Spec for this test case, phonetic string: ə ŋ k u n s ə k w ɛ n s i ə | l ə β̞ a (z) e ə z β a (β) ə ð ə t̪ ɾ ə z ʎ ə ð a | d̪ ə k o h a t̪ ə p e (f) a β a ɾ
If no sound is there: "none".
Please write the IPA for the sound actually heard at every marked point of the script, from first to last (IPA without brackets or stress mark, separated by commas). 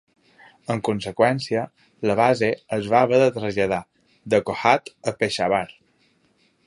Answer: z, β, ʃ